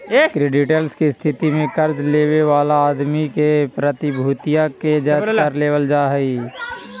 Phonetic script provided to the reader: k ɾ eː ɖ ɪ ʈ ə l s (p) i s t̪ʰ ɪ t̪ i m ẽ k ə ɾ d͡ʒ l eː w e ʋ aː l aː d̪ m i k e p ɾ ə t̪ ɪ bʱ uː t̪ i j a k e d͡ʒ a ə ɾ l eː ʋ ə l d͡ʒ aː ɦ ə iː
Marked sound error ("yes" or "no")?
yes